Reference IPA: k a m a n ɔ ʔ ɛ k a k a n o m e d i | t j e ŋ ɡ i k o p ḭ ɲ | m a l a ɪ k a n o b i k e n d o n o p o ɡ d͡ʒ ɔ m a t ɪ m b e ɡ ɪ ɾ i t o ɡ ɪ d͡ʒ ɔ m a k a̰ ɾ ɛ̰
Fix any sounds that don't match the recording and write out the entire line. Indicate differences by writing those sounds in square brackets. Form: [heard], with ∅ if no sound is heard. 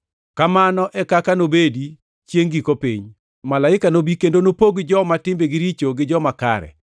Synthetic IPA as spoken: k a m a n ɔ ʔ ɛ k a k a n o [b] e d i | [t͡ʃ] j e ŋ ɡ i k o p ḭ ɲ | m a l a ɪ k a n o b i k e n d o n o p o ɡ d͡ʒ ɔ m a t ɪ m b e ɡ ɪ ɾ i [t͡ʃ] o ɡ ɪ d͡ʒ ɔ m a k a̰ ɾ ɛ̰